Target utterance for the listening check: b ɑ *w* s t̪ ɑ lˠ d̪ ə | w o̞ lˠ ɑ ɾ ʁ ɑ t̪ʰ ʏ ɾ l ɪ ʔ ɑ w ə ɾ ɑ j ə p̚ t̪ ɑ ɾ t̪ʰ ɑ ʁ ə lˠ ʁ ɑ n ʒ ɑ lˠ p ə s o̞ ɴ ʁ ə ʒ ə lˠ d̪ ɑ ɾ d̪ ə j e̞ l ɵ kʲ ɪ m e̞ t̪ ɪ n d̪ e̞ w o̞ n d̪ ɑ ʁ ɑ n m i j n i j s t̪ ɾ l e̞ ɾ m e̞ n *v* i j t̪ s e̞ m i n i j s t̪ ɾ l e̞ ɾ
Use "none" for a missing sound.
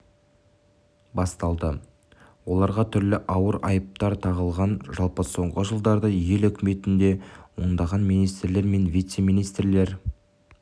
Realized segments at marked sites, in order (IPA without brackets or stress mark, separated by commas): none, v